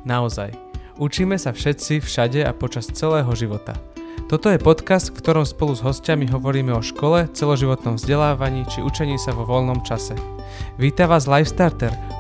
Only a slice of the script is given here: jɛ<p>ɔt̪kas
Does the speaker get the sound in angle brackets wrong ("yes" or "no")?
no